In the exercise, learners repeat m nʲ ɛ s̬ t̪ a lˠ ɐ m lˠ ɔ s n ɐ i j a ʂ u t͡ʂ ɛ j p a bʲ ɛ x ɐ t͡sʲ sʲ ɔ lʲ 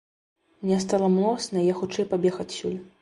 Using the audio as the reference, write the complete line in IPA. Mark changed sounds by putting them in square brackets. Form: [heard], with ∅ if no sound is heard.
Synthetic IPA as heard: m nʲ ɛ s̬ t̪ a lˠ ɐ m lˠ ɔ s n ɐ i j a [x] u t͡ʂ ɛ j p a bʲ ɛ x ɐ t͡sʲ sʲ [u] lʲ